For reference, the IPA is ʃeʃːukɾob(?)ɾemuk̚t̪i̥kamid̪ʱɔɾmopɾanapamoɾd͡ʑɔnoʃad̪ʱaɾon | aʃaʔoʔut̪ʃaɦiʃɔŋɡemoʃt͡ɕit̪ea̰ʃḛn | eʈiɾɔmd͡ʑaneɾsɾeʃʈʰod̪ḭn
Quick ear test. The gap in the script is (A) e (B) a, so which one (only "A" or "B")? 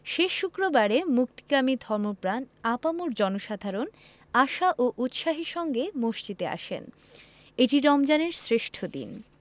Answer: B